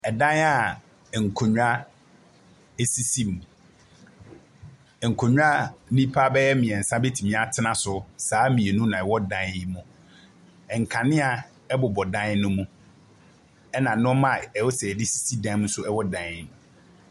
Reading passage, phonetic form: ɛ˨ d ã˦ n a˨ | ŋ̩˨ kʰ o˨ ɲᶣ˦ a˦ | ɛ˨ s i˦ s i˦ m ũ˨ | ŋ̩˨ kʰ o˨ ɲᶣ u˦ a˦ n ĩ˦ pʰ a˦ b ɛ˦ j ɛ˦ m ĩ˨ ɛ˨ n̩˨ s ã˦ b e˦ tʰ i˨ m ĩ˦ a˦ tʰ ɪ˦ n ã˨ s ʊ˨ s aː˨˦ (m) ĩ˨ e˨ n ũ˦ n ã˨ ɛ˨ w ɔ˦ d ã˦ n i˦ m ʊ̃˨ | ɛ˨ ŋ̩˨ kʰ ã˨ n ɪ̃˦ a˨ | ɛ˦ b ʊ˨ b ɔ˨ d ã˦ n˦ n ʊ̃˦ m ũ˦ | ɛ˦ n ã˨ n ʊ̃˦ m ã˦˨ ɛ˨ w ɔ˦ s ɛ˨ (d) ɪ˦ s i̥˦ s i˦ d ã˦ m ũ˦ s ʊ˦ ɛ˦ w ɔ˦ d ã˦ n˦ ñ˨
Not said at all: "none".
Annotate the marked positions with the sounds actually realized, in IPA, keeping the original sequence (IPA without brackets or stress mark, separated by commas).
m, d